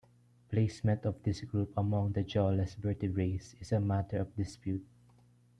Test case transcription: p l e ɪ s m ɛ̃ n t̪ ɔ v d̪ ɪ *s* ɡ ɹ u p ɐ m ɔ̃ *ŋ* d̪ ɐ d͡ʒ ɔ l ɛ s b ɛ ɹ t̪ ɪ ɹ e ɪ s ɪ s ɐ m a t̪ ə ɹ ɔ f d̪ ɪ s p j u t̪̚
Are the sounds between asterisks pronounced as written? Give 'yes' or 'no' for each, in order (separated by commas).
yes, yes